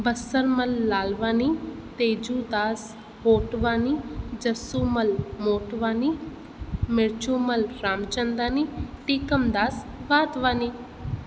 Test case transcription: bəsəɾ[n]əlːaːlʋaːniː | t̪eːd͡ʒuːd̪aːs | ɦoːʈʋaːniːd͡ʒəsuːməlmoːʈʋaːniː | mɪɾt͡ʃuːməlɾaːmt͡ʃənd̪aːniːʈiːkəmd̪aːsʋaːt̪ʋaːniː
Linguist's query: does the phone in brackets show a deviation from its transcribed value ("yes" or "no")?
yes